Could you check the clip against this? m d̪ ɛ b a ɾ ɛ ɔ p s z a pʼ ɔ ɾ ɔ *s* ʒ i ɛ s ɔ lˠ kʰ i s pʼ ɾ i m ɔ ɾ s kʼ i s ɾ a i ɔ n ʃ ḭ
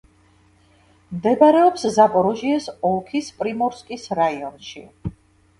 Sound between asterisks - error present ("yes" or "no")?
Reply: yes